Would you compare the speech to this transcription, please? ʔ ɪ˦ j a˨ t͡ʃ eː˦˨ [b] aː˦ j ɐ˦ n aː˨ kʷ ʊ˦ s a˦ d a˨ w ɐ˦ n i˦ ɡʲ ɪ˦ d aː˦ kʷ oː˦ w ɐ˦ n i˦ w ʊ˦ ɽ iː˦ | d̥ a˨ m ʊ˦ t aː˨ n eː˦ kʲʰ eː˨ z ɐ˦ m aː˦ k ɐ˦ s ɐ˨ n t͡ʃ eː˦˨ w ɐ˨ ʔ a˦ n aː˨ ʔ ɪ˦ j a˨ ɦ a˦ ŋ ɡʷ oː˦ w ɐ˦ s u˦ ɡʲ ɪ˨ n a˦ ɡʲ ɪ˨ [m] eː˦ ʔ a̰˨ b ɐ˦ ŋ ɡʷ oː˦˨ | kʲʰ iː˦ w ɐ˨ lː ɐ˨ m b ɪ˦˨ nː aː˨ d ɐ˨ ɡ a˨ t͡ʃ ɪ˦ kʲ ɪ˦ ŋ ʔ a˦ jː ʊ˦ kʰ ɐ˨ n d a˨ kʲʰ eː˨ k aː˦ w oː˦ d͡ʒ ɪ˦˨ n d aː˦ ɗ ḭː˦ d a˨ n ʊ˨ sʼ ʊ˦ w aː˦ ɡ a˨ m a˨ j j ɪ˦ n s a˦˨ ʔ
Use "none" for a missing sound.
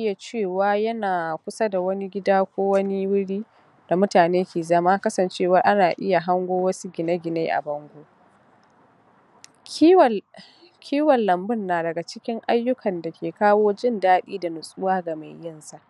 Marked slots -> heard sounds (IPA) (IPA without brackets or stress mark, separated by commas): w, n